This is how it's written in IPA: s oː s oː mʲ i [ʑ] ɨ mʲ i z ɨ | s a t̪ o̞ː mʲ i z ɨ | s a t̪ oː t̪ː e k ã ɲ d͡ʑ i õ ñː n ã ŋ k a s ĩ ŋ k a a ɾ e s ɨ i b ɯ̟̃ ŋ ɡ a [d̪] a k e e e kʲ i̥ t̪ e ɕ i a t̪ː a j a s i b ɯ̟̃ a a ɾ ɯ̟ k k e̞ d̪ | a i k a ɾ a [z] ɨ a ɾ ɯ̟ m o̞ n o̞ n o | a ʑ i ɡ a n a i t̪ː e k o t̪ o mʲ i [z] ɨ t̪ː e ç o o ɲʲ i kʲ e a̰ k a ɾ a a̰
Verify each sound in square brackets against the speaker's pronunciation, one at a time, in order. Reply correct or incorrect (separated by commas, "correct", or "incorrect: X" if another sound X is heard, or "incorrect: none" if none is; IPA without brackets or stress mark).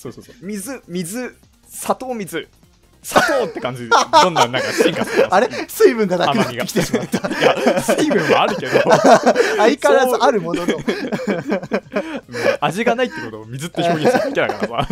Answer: incorrect: z, correct, correct, correct